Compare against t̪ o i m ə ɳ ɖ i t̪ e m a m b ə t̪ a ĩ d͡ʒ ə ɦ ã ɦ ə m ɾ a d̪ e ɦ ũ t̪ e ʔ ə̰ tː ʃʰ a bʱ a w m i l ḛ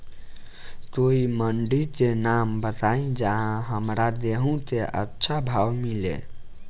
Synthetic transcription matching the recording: t̪ o i m ə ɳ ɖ i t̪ e n a m b ə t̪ a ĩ d͡ʒ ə ɦ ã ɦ ə m ɾ a d̪ e ɦ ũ t̪ e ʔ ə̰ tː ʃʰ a bʱ a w m i l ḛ